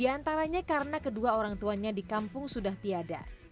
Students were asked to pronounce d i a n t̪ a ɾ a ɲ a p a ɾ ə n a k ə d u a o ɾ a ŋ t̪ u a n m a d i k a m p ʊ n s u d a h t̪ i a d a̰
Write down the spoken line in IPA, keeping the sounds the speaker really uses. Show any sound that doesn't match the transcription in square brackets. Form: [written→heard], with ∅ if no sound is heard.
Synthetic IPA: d i a n t̪ a ɾ a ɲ a [p→k] a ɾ ə n a k ə d u a o ɾ a ŋ t̪ u a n [m→ɲ] a d i k a m p ʊ [n→ŋ] s u d a h t̪ i a d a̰